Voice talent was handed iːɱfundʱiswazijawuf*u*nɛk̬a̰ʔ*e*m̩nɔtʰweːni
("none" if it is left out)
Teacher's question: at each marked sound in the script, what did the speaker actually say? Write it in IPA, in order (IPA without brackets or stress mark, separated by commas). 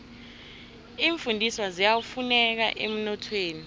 u, e